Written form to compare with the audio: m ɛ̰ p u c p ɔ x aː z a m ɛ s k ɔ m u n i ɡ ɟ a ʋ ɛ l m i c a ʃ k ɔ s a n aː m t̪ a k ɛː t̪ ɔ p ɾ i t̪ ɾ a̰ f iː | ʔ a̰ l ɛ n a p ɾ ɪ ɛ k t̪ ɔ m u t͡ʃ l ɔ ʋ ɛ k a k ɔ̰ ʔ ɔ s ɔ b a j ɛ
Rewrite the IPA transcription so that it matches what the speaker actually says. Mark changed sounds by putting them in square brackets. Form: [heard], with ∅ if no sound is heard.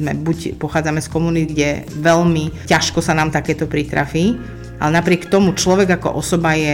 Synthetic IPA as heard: m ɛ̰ [b] u c p ɔ x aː [d͡z] a m ɛ s k ɔ m u n i ɡ ɟ [ɛ] ʋ ɛ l m i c a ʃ k ɔ s a n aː m t̪ a k ɛː t̪ ɔ p ɾ i t̪ ɾ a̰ f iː | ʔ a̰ l ɛ n a p ɾ ɪ ɛ k t̪ ɔ m u t͡ʃ l ɔ ʋ ɛ [ɡ] a k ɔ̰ ʔ ɔ s ɔ b a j ɛ